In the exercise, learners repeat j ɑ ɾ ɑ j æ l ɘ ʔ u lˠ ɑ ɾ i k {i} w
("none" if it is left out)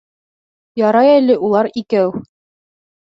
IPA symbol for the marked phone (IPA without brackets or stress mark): æ